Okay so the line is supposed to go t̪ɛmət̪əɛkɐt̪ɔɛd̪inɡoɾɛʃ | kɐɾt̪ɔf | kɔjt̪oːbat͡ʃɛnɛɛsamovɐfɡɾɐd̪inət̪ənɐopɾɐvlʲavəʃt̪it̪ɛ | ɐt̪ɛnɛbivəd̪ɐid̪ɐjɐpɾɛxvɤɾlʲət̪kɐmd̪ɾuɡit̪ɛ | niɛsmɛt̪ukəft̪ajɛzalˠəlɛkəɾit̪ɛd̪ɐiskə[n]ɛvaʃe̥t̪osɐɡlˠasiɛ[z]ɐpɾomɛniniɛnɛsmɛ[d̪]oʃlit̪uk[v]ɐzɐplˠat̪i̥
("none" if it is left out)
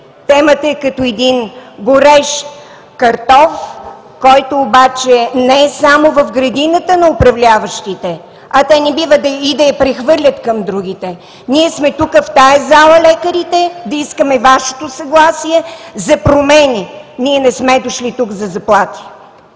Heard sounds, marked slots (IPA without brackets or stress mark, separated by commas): m, z, d̪, z